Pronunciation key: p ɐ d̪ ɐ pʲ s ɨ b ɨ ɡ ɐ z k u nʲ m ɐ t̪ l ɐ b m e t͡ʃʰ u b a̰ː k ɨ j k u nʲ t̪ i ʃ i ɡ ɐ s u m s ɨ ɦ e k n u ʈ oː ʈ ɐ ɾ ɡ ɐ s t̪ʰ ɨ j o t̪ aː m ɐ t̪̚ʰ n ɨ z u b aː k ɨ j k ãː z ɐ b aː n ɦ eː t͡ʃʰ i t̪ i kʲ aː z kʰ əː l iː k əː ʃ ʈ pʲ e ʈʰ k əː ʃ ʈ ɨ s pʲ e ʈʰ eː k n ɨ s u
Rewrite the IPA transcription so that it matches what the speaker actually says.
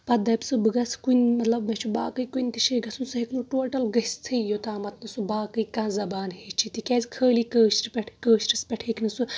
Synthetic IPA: p ɐ d̪ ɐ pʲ s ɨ b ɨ ɡ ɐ s k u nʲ m ɐ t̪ l ɐ b m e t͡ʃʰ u b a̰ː k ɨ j k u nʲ t̪ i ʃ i ɡ ɐ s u n s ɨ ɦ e k n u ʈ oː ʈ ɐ l ɡ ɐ s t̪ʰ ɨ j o t̪ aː m ɐ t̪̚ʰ n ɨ s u b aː k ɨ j k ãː z ɐ b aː n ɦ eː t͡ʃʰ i t̪ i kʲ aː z kʰ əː l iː k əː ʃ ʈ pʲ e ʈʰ k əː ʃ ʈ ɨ s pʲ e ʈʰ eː k n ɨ s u

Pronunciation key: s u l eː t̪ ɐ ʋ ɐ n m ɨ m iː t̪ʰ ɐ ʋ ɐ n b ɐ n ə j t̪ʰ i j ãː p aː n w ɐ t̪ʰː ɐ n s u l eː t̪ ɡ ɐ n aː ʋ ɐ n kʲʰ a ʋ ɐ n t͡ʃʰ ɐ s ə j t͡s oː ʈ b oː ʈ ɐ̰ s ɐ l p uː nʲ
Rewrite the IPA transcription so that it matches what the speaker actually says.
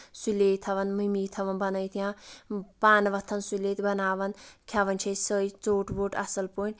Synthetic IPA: s u l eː t̪ʰ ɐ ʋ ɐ n m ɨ m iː t̪ʰ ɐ ʋ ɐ n b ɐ n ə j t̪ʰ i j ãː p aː n ʋ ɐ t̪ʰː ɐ n s u l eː t̪ b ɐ n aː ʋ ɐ n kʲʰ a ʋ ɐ n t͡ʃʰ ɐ s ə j t͡s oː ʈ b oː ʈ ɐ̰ s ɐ l p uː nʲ

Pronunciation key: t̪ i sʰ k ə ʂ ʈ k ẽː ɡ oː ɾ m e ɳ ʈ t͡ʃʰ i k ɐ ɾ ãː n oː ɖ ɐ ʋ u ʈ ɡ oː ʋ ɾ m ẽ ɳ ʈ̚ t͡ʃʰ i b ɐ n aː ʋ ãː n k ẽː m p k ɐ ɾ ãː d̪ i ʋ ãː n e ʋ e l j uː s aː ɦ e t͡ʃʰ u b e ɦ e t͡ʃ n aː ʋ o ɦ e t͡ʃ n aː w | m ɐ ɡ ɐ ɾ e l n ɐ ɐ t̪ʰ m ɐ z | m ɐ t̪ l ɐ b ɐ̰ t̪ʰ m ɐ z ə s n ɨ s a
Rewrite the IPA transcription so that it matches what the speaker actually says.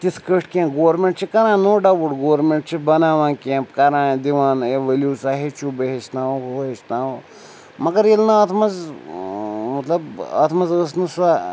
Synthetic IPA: t̪ i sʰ k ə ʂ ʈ k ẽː ɡ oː ɾ m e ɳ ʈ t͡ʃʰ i k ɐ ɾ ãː n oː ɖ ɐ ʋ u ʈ ɡ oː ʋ ɾ m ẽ ɳ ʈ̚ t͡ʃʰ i b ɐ n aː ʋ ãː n k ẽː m p k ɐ ɾ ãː d̪ i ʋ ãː n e ʋ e l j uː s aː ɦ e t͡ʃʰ u b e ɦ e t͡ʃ n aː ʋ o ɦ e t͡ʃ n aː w | m ɐ ɡ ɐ ɾ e l n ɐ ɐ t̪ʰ m ɐ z | m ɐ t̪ l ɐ b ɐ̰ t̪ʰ m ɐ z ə s n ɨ s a

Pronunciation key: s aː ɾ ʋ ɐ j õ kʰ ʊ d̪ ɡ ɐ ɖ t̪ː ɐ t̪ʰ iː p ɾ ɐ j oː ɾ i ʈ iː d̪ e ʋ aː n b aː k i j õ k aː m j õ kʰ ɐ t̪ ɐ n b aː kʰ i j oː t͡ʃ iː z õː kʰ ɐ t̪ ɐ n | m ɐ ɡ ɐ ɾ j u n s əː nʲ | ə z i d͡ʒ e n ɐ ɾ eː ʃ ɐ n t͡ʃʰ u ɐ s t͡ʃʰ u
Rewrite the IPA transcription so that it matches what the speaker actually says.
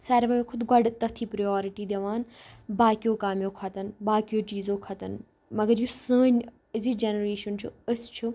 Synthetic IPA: s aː ɾ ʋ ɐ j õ kʰ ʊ d̪ ɡ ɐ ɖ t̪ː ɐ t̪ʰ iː p ɾ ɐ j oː ɾ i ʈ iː d̪ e ʋ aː n b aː k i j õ k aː m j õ kʰ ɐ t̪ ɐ n b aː k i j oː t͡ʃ iː z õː kʰ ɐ t̪ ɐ n | m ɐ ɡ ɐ ɾ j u s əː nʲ | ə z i d͡ʒ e n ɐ ɾ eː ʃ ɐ n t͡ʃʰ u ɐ s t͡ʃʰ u

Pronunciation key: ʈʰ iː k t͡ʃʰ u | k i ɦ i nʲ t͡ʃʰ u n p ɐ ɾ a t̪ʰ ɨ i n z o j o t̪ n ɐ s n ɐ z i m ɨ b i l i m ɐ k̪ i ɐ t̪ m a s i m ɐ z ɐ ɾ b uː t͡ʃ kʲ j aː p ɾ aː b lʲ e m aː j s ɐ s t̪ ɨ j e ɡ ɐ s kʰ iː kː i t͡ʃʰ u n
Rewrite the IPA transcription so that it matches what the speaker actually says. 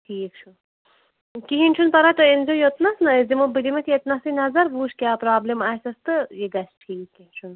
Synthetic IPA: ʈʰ iː k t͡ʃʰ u | k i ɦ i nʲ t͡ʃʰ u n p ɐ ɾ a t̪ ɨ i n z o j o t̪ n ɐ s n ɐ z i m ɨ b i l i m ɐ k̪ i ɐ t̪ n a s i n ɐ z ɐ ɾ b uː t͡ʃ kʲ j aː p ɾ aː b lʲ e m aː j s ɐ s t̪ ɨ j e ɡ ɐ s ʈʰ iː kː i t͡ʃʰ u n

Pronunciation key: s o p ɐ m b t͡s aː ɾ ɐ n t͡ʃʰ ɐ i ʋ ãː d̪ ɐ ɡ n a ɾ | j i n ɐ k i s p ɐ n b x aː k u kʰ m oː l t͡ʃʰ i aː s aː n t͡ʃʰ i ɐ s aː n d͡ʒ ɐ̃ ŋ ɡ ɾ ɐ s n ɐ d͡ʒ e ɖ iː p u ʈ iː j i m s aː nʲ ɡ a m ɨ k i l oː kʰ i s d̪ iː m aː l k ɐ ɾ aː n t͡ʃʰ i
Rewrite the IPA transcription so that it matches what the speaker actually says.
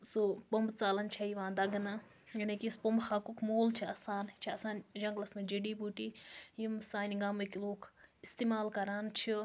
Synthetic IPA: s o p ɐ m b t͡s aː l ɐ n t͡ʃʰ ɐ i ʋ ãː d̪ ɐ ɡ n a | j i n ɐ k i s p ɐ m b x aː k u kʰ m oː l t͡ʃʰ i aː s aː n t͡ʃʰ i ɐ s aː n d͡ʒ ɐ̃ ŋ ɡ l ɐ s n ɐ d͡ʒ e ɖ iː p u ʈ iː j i m s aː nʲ ɡ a m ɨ k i l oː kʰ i s t̪ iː m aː l k ɐ ɾ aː n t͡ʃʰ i

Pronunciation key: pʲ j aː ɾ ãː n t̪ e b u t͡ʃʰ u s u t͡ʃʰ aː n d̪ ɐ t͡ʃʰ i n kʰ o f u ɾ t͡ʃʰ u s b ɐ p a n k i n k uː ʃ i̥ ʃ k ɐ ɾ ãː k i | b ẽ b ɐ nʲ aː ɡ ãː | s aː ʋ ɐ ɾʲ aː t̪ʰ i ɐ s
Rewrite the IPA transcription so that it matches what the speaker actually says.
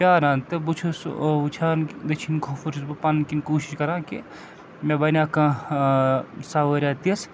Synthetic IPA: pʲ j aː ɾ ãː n t̪ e b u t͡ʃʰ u s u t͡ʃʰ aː n d̪ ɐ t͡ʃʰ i n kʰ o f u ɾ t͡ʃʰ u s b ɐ p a n k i n k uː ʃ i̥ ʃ k ɐ ɾ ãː k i | m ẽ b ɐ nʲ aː k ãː | s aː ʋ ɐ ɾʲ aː t̪ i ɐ s

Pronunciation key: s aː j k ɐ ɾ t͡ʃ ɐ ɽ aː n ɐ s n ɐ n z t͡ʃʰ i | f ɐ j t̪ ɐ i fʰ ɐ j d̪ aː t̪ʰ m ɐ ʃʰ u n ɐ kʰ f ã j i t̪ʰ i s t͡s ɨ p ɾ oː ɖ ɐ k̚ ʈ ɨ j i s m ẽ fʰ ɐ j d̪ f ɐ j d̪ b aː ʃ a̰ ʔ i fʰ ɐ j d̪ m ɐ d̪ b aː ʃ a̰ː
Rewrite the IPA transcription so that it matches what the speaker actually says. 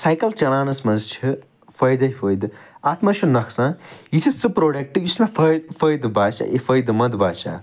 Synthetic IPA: s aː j k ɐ l t͡ʃ ɐ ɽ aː n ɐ s m ɐ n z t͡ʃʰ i | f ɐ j d̪ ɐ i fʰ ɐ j d̪ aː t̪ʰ m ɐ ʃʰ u n ɐ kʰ s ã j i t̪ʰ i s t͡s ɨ p ɾ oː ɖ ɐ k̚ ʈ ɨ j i s m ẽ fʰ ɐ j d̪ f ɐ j d̪ b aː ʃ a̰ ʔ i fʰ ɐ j d̪ m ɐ d̪ b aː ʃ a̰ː

